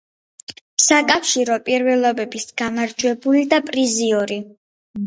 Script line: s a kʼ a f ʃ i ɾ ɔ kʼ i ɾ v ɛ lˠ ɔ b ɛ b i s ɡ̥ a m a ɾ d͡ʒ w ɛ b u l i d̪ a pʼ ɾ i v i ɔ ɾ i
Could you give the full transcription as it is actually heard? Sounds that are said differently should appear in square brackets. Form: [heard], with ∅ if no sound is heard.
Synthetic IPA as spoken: s a kʼ a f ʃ i ɾ ɔ [pʼ] i ɾ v ɛ lˠ ɔ b ɛ b i s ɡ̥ a m a ɾ d͡ʒ w ɛ b u l i d̪ a pʼ ɾ i [z] i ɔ ɾ i